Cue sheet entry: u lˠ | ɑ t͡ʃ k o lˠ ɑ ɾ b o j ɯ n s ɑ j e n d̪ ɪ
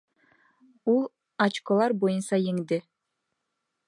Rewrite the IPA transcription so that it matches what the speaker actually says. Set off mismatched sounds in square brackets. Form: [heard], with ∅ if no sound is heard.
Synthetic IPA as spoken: u lˠ | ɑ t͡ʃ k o lˠ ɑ ɾ b o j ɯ n s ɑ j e [ŋ] d̪ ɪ